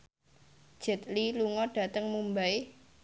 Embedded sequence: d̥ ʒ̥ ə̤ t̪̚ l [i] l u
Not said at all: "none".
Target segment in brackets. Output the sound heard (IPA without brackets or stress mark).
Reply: i